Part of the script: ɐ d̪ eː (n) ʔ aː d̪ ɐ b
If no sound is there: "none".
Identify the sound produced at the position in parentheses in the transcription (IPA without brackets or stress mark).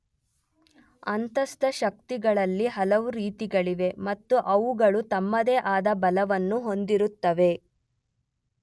none